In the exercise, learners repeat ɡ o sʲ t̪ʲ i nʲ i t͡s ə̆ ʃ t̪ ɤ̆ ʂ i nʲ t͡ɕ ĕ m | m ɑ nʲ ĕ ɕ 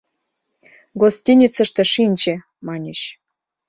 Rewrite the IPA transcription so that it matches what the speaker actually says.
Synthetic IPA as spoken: ɡ o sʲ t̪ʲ i nʲ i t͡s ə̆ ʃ t̪ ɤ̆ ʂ i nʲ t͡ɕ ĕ | m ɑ nʲ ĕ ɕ